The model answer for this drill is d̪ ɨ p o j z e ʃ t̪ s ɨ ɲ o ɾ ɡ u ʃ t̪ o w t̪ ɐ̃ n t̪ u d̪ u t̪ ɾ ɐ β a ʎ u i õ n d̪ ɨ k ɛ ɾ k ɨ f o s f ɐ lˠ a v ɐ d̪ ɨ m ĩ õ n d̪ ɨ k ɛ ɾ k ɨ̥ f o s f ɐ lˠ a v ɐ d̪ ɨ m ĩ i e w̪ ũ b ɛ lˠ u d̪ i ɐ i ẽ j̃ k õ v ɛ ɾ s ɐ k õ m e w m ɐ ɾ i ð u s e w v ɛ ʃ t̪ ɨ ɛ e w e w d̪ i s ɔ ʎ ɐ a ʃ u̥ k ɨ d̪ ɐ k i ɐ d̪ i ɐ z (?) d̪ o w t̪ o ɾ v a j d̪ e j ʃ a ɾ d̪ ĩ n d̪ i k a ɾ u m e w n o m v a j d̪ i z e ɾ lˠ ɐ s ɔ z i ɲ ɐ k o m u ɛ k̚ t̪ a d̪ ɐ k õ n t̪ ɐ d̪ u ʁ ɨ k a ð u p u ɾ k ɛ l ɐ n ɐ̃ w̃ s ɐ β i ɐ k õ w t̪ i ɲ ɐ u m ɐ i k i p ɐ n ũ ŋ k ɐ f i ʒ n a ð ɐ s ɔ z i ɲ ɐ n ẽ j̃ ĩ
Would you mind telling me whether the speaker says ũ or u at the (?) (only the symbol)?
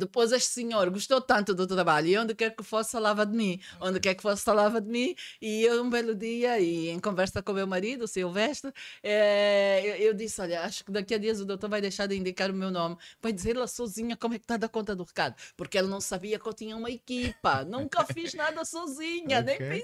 u